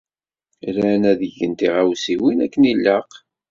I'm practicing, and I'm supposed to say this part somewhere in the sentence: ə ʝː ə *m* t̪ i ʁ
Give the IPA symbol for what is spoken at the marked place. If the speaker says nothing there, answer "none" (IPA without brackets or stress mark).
n